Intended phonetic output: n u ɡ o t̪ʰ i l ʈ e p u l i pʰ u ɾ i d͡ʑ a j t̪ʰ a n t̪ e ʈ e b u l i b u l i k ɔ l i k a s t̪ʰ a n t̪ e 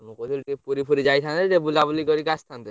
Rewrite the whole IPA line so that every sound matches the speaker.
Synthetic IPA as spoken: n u k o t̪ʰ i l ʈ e p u ɾ i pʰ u ɾ i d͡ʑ a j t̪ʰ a n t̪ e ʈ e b u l a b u l i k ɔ ɾ i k a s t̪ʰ a n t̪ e